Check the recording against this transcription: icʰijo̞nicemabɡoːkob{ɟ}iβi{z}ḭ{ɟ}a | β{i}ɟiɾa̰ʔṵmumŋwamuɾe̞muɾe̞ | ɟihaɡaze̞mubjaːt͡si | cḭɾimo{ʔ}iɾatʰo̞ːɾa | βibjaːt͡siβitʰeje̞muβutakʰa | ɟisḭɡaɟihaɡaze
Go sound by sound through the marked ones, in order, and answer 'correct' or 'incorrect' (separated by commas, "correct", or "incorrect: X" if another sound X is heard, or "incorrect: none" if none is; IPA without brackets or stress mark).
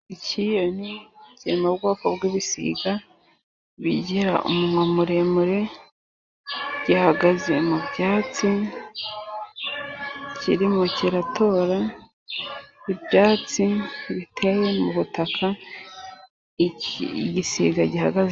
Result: incorrect: ɡ, incorrect: s, incorrect: ɡ, correct, incorrect: c